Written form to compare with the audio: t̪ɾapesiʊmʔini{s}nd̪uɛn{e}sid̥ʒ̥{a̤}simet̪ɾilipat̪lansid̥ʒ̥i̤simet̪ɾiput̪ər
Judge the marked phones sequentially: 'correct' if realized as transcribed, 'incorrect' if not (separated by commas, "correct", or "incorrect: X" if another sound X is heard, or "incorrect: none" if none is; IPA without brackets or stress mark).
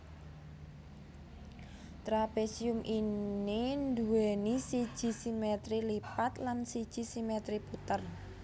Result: incorrect: none, incorrect: i, incorrect: i̤